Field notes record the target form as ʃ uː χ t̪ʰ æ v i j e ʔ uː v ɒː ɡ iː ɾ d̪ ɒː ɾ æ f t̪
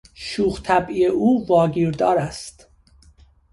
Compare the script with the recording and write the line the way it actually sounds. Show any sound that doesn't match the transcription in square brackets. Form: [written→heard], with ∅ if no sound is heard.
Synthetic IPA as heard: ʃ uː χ t̪ʰ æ [v→b] i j e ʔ uː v ɒː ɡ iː ɾ d̪ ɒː ɾ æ [f→s] t̪

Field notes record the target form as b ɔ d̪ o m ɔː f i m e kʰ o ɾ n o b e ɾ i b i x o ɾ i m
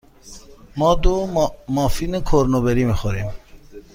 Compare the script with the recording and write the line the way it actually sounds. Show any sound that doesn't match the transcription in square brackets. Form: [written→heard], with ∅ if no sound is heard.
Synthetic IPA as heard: [b→m] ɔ d̪ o m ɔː f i [m→n] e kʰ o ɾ n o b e ɾ i [b→m] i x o ɾ i m

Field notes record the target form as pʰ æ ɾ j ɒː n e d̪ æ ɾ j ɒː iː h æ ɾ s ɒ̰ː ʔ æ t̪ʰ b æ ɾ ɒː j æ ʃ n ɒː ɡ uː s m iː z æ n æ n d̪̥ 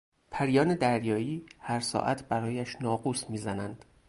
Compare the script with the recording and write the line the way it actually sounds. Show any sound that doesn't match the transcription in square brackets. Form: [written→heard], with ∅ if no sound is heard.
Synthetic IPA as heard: pʰ æ ɾ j ɒː n e d̪ æ ɾ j ɒː iː h æ ɾ s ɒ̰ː ʔ æ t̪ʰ b æ ɾ ɒː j æ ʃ n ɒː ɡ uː s m iː z æ n æ n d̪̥

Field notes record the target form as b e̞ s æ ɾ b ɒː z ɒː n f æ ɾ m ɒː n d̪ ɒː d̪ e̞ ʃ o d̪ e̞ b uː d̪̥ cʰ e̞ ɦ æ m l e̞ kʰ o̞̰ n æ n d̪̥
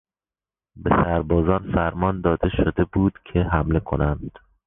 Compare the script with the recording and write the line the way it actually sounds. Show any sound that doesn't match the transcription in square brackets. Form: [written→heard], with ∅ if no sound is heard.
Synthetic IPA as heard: b e̞ s æ ɾ b ɒː z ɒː n f æ ɾ m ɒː n d̪ ɒː d̪ e̞ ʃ o d̪ e̞ b uː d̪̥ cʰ e̞ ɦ æ m l e̞ kʰ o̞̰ n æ n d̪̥

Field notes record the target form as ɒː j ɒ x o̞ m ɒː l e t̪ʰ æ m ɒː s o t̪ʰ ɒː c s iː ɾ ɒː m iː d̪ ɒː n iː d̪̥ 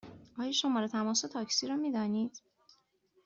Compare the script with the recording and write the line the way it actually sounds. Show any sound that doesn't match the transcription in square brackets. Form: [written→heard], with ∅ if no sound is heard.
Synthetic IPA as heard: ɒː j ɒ [x→ʃ] o̞ m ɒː [l→ɾ] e t̪ʰ æ m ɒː s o t̪ʰ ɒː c s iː ɾ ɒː m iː d̪ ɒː n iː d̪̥

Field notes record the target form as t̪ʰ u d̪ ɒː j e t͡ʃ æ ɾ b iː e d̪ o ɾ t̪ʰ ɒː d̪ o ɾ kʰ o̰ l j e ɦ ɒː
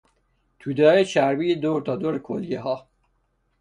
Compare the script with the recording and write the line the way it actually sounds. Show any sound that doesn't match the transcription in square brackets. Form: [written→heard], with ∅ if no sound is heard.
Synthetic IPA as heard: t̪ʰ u d̪ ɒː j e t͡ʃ æ ɾ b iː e d̪ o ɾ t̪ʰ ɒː d̪ o ɾ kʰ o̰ l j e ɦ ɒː

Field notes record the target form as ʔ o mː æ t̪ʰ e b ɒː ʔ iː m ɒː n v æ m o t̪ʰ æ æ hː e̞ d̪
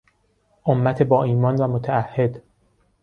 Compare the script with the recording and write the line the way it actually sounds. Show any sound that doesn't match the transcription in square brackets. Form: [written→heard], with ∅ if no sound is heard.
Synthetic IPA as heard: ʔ o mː æ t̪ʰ e b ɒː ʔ iː m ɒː n v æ m o t̪ʰ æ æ hː e̞ d̪

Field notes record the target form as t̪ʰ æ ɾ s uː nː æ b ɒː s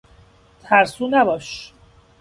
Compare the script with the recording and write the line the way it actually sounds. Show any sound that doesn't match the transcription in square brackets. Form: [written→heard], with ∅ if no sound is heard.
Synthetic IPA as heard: t̪ʰ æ ɾ s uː [nː→n] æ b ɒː [s→ʃ]

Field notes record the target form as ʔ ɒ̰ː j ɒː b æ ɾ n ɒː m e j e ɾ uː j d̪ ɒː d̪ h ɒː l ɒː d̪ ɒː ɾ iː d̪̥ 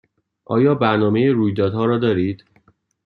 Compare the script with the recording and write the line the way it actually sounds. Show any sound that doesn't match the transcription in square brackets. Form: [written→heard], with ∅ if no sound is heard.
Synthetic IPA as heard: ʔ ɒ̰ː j ɒː b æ ɾ n ɒː m e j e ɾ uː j d̪ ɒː d̪ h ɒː [l→ɾ] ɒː d̪ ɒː ɾ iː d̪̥

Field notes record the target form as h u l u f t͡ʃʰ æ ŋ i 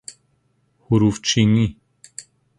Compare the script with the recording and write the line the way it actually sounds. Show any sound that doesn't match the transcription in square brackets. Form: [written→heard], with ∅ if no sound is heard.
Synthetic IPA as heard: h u [l→ɾ] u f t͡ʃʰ [æ→i] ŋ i

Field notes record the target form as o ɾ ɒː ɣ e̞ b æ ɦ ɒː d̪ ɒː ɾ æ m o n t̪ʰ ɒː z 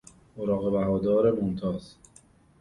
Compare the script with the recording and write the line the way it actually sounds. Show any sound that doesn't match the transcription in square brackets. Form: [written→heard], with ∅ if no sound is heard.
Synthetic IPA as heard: o ɾ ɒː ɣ e̞ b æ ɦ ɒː d̪ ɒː ɾ [æ→e] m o n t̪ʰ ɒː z

